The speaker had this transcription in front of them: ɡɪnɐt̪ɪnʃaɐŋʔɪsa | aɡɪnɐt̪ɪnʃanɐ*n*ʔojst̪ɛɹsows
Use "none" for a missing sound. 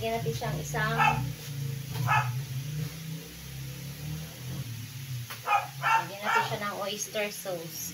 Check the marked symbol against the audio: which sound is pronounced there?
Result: ŋ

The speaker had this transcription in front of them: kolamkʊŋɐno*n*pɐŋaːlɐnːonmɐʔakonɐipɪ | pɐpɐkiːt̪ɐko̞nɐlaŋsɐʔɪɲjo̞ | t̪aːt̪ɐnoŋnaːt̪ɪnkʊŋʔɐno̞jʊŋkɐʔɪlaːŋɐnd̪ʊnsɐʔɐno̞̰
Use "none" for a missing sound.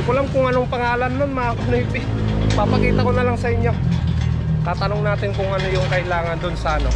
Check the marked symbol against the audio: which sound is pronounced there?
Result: ŋ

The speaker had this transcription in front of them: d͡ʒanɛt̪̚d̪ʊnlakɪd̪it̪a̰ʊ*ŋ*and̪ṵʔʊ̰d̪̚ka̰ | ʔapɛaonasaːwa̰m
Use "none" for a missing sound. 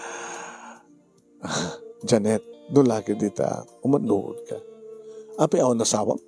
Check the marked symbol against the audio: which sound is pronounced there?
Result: m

